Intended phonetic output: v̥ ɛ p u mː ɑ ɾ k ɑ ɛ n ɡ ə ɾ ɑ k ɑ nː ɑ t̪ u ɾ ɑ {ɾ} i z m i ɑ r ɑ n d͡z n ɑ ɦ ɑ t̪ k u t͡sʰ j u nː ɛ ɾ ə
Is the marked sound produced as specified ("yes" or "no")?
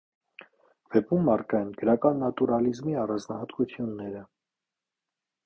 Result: no